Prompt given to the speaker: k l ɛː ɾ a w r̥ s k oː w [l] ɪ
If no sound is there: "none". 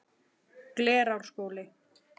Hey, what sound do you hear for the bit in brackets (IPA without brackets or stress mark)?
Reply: l